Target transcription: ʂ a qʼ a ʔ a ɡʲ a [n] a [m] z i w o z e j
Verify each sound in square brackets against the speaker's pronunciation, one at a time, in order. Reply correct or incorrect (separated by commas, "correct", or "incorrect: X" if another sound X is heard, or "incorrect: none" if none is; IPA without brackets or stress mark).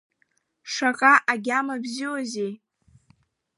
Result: incorrect: m, incorrect: b